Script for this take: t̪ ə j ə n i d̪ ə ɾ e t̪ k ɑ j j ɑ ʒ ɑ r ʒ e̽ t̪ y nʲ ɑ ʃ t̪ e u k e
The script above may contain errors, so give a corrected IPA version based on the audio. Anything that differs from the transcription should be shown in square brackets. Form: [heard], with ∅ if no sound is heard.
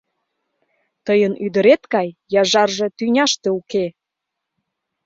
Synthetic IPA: t̪ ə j ə n [y] d̪ ə ɾ e t̪ k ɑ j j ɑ ʒ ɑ r ʒ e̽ t̪ y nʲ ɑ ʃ t̪ e u k e

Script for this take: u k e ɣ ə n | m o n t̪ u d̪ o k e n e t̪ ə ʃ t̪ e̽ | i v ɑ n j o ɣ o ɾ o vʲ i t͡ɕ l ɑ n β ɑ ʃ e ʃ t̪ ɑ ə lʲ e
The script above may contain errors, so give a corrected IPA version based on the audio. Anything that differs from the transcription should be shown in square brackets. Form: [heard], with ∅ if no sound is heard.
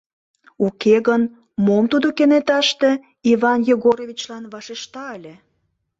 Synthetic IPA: u k e ɣ ə n | m o [m] t̪ u d̪ o k e n e t̪ [ɑ] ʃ t̪ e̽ | i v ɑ n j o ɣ o ɾ o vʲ i t͡ɕ l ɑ n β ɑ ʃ e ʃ t̪ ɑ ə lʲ e

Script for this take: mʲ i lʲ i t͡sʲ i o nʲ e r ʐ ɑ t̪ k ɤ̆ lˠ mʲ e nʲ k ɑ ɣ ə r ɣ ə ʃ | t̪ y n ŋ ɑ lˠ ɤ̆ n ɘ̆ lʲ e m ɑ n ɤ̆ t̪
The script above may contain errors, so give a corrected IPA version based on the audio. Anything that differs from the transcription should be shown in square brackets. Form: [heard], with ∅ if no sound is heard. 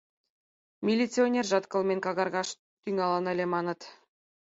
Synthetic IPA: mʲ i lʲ i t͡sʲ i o nʲ e r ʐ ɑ t̪ k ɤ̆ lˠ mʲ e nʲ k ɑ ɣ [ɑ] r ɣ [ɑ] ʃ | t̪ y [∅] ŋ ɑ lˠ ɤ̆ n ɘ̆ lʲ e m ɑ n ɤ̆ t̪

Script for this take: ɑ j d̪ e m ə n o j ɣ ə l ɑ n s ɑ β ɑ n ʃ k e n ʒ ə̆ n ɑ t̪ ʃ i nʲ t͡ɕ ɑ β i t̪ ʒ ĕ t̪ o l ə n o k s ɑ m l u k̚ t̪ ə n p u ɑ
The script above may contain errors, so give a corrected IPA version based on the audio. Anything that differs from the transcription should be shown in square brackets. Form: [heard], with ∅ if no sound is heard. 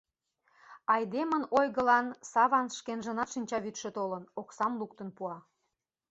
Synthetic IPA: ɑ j d̪ e m ə n o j ɣ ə l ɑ n s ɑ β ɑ n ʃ k e n ʒ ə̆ n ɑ t̪ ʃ i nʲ t͡ɕ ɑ β [y] t̪ [ʃ] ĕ t̪ o l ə n o k s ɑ m l u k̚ t̪ ə n p u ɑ

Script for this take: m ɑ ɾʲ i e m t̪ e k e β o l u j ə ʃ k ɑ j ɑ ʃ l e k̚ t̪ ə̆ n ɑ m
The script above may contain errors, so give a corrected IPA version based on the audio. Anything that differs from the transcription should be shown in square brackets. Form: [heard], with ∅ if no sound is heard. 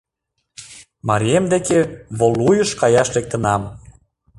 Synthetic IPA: m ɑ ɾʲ i e m [d̪] e k e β o l u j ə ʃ k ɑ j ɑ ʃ l e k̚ t̪ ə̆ n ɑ m

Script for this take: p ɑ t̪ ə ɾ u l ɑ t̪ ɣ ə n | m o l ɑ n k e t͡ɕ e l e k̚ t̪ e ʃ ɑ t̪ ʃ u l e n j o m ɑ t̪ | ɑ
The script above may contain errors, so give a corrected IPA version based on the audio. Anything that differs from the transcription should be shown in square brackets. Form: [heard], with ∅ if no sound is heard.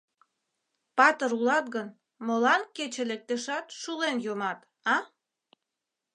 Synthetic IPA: p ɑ t̪ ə ɾ u l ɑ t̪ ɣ ə n | m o l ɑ n k e t͡ɕ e l e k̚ t̪ e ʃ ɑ t̪ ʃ u l e n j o m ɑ t̪ | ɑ

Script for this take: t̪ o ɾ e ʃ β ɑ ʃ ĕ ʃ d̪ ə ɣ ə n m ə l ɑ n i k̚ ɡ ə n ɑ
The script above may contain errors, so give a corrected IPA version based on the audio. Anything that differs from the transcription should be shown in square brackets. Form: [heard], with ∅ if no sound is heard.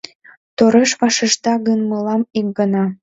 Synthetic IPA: t̪ o ɾ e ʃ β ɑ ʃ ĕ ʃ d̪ [ɑ] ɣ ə n m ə l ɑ [m] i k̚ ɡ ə n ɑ

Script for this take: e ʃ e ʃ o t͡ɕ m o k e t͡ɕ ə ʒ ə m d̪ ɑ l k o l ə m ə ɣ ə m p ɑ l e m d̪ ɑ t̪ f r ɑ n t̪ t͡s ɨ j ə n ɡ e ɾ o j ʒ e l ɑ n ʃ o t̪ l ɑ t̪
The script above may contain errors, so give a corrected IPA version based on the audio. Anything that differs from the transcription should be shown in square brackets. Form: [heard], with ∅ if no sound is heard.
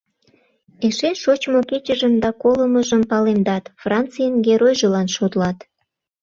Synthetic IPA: e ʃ e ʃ o t͡ɕ m o k e t͡ɕ ə ʒ ə m d̪ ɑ [∅] k o l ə m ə [ʒ] ə m p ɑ l e m d̪ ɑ t̪ f r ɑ n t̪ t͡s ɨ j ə n ɡ e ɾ o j ʒ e l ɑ n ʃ o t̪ l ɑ t̪

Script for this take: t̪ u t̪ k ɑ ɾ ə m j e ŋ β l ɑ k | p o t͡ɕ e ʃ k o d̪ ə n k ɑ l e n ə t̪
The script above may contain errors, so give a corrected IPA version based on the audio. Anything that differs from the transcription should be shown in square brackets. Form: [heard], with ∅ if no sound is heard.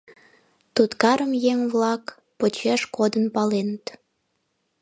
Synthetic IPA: t̪ u t̪ k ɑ ɾ ə m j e ŋ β l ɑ k | p o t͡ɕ e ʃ k o d̪ ə n [p] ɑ l e n ə t̪

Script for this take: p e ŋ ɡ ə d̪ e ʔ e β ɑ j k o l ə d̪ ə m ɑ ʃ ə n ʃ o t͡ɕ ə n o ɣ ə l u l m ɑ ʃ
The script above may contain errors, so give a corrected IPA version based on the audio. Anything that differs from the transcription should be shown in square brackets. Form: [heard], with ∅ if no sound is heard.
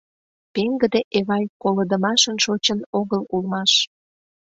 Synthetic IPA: p e ŋ ɡ ə d̪ e ʔ e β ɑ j k o l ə d̪ ə m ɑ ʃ ə n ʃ o t͡ɕ ə n o ɣ ə l u l m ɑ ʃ

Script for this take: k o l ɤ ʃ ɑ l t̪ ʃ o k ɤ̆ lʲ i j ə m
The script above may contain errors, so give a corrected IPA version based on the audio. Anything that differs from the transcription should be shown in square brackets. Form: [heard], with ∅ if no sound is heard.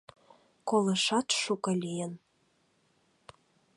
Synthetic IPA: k o l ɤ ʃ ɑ [∅] t̪ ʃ [u] k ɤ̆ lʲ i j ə [n]

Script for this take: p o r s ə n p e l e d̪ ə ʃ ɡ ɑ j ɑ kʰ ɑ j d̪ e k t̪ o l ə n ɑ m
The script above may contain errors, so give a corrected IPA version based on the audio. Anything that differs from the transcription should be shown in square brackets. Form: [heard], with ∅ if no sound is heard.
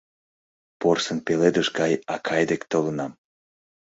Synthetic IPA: p o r s ə n p e l e d̪ ə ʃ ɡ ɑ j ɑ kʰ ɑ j d̪ e k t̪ o l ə n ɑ m

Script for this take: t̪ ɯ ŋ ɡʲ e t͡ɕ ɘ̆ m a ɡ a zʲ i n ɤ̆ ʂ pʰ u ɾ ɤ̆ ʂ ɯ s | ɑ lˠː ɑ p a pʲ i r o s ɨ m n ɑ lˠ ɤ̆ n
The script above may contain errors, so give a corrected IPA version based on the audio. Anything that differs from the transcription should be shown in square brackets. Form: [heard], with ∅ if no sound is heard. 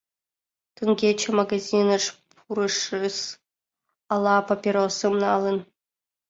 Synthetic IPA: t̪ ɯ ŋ ɡʲ e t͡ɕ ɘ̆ m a ɡ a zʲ i n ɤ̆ ʂ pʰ u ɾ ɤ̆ ʂ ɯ s | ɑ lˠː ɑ p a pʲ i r o s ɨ m n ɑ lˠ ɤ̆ n

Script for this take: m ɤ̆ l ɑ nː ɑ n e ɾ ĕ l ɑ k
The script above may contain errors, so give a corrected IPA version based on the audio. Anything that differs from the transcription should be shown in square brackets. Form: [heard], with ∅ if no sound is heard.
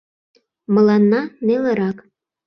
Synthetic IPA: m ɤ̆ l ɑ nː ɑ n e [l] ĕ [ɾ] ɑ k

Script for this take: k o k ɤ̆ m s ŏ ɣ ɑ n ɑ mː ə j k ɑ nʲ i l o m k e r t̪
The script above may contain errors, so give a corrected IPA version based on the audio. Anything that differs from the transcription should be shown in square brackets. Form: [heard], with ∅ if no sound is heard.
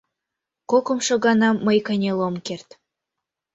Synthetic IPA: k o k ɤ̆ m [ʃ] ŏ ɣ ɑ n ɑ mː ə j k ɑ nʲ [e] l o m k e r t̪

